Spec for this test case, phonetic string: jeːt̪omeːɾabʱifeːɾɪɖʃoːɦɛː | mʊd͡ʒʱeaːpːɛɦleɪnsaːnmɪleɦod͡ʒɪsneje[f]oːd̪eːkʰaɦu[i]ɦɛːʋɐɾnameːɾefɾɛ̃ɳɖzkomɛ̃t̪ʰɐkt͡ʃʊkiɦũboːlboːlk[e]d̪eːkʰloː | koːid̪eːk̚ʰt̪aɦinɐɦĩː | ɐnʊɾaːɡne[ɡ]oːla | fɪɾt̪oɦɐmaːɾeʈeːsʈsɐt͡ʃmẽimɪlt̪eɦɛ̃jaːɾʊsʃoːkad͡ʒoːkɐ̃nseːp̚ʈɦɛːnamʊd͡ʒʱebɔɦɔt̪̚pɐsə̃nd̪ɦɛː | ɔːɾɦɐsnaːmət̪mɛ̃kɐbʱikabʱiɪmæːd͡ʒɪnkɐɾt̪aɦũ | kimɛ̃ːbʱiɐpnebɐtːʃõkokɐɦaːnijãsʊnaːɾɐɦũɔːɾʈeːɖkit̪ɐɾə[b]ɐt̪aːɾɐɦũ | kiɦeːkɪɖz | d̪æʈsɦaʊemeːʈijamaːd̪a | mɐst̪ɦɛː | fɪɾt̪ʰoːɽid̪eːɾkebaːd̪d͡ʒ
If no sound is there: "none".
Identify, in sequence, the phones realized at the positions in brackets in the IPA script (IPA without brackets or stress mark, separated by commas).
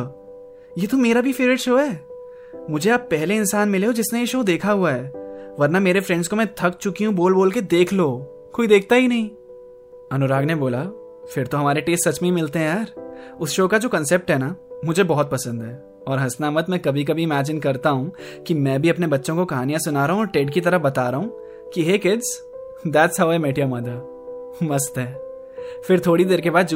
ʃ, a, e, b, b